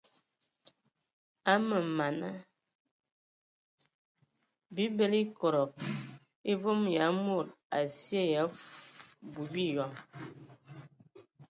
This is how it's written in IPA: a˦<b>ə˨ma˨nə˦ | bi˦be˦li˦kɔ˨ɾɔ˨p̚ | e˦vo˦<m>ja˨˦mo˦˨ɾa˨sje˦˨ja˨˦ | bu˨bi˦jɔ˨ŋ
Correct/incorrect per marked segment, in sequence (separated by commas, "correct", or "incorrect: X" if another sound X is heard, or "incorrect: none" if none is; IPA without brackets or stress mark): incorrect: m, correct